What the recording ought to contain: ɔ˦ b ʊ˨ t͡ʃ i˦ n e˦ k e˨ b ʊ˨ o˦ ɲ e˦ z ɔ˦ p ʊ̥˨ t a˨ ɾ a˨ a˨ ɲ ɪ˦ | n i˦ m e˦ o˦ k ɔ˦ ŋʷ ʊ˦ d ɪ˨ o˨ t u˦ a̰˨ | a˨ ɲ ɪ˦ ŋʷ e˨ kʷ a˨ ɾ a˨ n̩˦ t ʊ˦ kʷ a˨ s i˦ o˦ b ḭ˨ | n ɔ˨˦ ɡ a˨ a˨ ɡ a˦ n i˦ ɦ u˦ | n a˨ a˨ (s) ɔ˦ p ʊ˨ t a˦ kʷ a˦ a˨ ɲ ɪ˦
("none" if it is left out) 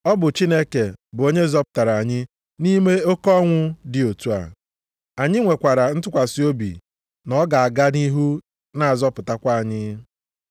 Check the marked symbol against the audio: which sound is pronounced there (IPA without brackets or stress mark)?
z